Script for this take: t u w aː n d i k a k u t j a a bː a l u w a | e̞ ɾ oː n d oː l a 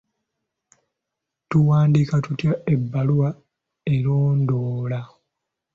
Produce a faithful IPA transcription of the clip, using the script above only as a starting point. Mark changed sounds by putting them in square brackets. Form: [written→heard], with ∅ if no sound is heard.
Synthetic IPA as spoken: t u w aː n d i k a [k→t] u t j a [a→e] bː a l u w a | e̞ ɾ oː n d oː l a